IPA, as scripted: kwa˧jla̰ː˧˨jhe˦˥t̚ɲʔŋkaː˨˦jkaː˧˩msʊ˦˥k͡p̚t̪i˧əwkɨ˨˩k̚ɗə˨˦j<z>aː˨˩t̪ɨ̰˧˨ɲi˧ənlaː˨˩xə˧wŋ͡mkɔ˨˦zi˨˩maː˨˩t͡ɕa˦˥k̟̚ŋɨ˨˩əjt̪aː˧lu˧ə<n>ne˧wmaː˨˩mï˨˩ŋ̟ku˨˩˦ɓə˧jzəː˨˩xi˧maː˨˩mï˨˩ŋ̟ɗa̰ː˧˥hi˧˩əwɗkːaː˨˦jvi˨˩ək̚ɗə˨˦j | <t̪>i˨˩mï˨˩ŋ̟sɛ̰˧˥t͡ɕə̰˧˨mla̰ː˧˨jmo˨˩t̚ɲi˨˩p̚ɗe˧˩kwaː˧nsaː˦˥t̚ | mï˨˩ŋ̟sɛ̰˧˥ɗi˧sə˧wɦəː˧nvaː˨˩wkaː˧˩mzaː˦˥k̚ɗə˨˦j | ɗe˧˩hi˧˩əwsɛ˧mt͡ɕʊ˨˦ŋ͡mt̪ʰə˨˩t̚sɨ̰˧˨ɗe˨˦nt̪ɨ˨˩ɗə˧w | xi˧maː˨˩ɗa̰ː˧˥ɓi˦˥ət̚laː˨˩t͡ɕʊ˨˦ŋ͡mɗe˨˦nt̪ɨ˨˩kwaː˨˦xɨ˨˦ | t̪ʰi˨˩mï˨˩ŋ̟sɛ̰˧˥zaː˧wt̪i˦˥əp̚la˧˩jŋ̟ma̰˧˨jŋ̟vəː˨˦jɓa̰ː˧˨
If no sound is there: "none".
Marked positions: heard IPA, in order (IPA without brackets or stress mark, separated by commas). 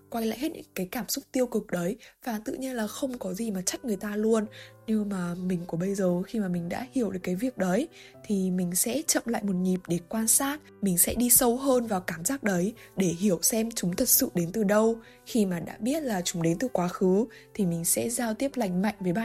v, n, t̪ʰ